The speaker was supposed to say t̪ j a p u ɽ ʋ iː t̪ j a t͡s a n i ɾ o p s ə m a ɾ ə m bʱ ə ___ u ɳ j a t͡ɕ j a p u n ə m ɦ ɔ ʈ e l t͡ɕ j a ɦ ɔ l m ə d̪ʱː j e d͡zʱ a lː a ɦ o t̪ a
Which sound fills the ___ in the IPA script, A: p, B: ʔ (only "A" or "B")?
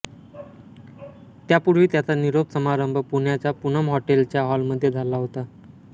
A